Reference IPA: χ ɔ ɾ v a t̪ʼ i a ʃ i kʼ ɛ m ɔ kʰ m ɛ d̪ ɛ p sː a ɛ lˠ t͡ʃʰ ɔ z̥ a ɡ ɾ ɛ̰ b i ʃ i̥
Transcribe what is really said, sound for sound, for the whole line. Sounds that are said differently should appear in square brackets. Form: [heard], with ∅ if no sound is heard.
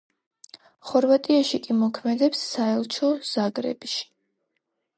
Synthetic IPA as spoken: χ ɔ ɾ v a t̪ʼ i a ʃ i kʼ [i] m ɔ kʰ m ɛ d̪ ɛ p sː a ɛ lˠ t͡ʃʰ ɔ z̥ a ɡ ɾ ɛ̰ b i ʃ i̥